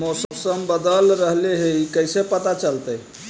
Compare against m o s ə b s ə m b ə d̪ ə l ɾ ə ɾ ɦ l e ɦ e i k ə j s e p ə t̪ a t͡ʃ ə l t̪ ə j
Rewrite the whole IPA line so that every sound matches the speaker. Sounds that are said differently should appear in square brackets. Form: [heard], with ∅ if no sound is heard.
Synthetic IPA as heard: m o s ə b s ə m b ə d̪ ə l ɾ ə [∅] ɦ l e ɦ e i k ə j s e p ə t̪ a t͡ʃ ə l t̪ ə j